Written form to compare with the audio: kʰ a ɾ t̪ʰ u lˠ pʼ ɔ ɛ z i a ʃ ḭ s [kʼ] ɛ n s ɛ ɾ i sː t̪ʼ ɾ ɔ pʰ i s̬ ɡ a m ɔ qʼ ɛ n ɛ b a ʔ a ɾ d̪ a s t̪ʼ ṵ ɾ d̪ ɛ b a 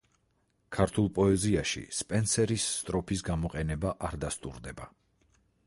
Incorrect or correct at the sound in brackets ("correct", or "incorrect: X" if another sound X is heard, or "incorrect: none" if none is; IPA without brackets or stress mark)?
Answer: incorrect: pʼ